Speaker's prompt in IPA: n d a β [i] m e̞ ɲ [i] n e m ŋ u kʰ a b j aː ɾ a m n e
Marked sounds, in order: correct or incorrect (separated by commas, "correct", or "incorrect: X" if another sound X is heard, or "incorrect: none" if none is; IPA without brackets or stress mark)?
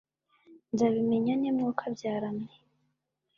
correct, incorrect: a